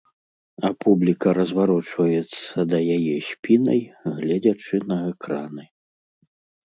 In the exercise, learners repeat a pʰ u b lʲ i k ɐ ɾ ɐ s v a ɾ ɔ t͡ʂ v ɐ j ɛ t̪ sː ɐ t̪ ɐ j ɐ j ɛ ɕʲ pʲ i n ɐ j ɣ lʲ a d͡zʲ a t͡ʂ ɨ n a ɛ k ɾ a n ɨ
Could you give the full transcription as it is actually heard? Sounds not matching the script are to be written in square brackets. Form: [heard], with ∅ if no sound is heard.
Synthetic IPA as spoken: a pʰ u b lʲ i k ɐ ɾ ɐ [z] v a ɾ ɔ t͡ʂ v ɐ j ɛ t̪ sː ɐ [d̪] ɐ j [a] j ɛ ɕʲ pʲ i n ɐ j ɣ lʲ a d͡zʲ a t͡ʂ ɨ n [ɐ] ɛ k ɾ a n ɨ